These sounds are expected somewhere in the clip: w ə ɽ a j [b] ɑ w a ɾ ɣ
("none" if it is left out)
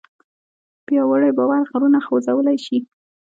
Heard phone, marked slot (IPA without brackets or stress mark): b